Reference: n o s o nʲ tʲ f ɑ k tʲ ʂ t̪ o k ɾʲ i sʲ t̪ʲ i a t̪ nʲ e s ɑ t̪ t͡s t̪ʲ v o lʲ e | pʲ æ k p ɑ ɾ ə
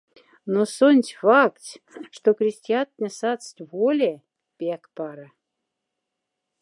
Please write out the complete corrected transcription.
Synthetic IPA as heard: n o s o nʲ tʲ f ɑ k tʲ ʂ t̪ o k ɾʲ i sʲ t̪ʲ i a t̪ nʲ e s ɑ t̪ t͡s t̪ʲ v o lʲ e | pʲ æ k p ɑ ɾ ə